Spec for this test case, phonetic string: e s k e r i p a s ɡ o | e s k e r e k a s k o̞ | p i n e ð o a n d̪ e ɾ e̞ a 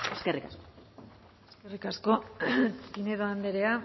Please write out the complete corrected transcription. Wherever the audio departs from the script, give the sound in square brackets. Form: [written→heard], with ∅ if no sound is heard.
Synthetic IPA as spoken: e s k e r i [p→k] a s [ɡ→k] o | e s k e r [e→i] k a s k o̞ | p i n e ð o a n d̪ e ɾ e̞ a